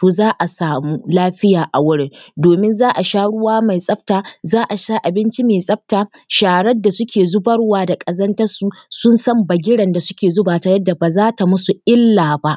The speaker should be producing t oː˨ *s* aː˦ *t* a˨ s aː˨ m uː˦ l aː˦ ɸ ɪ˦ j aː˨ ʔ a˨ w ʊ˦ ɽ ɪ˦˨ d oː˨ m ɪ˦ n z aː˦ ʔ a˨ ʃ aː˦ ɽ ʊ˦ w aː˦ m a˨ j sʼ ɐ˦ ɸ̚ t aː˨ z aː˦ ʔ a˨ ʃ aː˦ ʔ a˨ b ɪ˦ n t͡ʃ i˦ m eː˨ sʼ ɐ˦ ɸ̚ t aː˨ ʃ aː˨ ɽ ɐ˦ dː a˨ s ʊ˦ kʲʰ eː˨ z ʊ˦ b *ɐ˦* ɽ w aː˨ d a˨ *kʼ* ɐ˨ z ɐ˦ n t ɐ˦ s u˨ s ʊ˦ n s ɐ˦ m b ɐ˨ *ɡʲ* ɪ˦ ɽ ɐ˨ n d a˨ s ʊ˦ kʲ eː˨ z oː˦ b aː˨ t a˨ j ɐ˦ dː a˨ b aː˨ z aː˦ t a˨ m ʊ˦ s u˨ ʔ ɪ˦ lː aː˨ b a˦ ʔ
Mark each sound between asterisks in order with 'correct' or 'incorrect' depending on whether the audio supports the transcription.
incorrect: z, incorrect: ʔ, correct, correct, correct

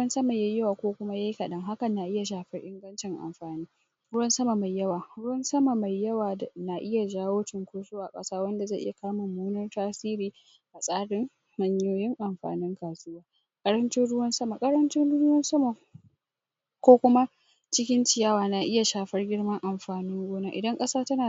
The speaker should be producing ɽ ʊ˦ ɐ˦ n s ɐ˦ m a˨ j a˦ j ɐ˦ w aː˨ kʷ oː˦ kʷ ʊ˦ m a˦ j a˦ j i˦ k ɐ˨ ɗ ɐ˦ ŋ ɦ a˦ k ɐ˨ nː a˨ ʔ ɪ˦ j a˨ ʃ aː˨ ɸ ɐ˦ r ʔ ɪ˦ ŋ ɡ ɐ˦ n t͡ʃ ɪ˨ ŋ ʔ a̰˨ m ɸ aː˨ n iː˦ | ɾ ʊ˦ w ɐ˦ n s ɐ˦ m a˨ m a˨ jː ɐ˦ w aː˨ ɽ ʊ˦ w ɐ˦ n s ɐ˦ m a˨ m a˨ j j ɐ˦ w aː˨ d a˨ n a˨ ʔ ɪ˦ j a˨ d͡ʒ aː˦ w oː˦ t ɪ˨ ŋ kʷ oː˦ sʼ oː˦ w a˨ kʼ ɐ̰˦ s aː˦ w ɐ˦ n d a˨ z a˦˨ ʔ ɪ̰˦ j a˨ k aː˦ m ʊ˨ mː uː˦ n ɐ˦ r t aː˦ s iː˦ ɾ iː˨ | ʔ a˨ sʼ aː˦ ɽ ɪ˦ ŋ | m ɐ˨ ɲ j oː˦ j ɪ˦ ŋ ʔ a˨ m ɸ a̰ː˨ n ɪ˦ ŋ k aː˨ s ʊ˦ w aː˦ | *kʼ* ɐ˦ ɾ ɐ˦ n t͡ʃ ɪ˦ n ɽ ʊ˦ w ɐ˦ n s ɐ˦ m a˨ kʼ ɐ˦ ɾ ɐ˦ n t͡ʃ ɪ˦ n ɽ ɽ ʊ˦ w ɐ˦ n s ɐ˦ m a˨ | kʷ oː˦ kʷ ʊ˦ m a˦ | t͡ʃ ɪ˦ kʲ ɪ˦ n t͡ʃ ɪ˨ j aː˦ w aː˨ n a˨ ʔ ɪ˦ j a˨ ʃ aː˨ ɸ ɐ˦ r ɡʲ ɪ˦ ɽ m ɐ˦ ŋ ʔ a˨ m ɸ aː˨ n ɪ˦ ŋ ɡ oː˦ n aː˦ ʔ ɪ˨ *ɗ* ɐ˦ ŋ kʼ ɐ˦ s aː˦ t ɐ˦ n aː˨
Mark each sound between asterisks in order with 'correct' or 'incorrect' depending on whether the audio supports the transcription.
correct, incorrect: d

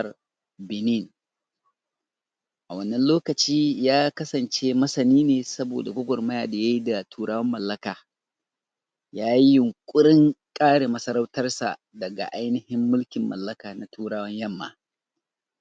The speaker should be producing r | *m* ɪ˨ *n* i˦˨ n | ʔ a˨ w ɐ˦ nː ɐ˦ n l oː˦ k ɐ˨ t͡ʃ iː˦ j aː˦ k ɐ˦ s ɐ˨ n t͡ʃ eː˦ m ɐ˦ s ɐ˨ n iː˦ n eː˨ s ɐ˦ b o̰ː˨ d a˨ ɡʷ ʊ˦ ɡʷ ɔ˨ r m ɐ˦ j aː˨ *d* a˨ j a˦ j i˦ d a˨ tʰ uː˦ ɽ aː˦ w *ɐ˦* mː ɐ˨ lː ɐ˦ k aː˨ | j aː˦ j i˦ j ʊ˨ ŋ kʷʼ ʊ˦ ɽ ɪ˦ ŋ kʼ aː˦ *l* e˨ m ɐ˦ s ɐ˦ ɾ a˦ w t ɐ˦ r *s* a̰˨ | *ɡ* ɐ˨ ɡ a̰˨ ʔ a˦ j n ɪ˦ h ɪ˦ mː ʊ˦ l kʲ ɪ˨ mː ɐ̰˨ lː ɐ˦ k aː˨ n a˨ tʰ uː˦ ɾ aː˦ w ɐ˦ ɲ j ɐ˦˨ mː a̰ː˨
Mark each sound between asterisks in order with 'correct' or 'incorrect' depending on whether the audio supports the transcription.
incorrect: b, correct, correct, correct, incorrect: ɽ, correct, incorrect: d

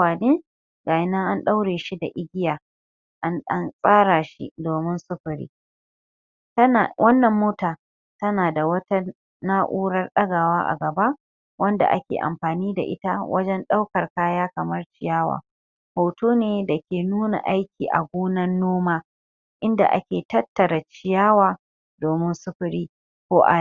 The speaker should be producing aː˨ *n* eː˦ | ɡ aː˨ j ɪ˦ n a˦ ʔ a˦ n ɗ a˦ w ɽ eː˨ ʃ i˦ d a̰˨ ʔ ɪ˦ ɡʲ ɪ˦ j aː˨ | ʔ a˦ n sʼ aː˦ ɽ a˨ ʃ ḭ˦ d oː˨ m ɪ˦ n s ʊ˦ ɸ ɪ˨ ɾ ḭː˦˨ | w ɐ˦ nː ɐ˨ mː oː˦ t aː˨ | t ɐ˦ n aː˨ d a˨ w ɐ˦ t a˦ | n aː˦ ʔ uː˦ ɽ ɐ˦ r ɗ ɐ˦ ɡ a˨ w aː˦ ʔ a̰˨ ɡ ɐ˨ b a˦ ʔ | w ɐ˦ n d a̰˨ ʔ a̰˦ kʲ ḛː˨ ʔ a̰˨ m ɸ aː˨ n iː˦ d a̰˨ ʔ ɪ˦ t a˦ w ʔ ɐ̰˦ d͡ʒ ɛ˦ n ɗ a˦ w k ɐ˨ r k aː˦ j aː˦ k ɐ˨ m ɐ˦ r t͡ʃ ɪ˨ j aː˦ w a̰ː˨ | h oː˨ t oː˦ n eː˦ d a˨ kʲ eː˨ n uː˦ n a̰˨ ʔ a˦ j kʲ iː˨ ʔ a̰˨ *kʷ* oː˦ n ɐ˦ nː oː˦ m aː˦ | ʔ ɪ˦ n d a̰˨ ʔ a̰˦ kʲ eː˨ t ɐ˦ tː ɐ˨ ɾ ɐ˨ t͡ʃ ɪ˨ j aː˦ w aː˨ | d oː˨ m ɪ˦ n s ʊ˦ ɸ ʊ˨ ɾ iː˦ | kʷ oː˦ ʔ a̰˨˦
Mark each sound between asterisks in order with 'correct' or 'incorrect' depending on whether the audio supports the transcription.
correct, incorrect: ɡʷ

